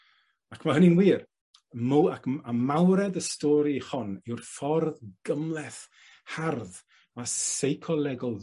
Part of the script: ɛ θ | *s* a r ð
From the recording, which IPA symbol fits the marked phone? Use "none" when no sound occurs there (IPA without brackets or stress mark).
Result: h